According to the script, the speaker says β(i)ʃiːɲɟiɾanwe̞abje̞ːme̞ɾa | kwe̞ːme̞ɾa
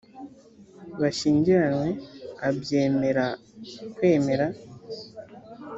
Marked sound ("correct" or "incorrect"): incorrect